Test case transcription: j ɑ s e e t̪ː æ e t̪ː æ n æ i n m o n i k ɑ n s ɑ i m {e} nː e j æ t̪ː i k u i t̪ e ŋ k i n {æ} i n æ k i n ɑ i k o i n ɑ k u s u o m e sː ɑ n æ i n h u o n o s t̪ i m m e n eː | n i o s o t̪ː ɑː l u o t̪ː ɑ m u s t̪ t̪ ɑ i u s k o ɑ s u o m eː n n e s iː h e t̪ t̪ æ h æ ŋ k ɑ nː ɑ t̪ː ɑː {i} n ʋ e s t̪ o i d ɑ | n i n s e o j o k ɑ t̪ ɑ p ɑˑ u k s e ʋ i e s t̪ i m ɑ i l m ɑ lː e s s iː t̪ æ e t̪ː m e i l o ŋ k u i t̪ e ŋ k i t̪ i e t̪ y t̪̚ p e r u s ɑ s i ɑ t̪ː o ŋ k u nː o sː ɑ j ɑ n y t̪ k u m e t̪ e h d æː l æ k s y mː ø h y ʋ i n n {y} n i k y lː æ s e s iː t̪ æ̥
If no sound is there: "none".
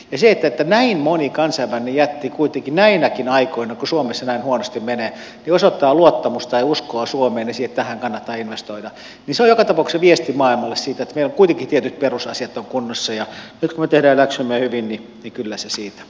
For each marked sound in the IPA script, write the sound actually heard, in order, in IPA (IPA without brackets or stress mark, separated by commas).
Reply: æ, æ, i, i